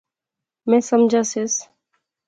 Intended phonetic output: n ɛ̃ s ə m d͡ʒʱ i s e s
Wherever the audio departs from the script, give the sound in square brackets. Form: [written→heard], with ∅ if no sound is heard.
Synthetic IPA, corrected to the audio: [n→m] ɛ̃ s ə m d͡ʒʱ [i→a] s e s